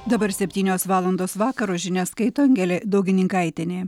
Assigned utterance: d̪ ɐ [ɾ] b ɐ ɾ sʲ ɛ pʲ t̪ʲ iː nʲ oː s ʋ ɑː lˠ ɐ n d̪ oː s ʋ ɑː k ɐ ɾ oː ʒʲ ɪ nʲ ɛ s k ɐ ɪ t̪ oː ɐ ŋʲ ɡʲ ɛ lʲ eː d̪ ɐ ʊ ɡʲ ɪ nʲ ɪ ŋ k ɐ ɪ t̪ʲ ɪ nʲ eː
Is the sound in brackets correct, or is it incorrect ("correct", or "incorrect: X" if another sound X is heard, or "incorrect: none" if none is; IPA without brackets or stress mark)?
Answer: incorrect: none